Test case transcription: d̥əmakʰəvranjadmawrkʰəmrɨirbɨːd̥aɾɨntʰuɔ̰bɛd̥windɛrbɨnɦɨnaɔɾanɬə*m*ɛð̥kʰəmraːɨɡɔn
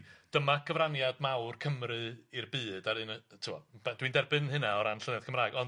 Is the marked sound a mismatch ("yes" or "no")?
yes